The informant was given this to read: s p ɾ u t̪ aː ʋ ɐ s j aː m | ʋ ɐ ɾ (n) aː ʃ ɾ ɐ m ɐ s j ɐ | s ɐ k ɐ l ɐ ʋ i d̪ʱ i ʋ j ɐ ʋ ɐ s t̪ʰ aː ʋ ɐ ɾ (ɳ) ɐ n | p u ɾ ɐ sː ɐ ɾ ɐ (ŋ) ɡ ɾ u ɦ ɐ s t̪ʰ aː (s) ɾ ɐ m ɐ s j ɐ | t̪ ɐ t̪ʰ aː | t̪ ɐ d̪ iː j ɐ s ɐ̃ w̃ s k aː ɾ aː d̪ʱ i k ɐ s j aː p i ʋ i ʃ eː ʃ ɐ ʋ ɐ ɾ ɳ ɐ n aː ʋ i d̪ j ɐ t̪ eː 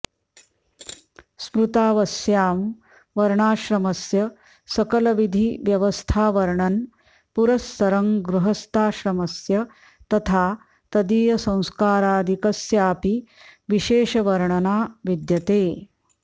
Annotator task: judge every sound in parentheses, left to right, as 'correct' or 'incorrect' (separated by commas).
incorrect, correct, correct, incorrect